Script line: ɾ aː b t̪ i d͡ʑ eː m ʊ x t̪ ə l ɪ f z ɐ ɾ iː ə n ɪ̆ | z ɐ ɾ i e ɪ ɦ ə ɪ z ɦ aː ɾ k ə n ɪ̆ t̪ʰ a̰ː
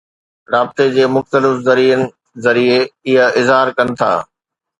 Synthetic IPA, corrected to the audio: ɾ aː b t̪ e d͡ʑ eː m ʊ x t̪ ə l ɪ f z ɐ ɾ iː ə n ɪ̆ | z ɐ ɾ i e ɪ ɦ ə ɪ z ɦ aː ɾ k ɐ n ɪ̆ t̪ʰ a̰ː